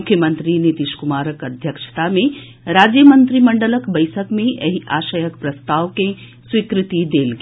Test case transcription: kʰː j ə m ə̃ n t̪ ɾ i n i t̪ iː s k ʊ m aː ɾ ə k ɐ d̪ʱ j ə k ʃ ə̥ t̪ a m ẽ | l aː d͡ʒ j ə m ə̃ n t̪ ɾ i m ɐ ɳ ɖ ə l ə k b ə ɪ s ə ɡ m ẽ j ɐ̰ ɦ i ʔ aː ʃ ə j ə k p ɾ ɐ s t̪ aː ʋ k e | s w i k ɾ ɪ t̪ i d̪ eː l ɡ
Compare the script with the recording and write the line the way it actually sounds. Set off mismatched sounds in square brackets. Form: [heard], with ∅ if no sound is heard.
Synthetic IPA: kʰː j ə m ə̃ n t̪ ɾ i n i t̪ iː [ʃ] k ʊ m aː ɾ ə k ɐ d̪ʱ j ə k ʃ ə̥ t̪ a m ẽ | [ɾ] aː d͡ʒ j ə m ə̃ n t̪ ɾ i m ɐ ɳ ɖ ə l ə k b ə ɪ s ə [k] m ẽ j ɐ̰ ɦ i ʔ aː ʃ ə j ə k p ɾ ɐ s t̪ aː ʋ k e | s w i k ɾ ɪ t̪ i d̪ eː l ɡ